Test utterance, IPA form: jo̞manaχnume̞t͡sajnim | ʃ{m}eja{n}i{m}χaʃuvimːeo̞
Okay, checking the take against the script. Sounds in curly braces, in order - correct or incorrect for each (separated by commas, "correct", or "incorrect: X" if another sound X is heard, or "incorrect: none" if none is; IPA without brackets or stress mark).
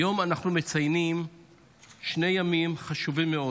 incorrect: n, incorrect: m, correct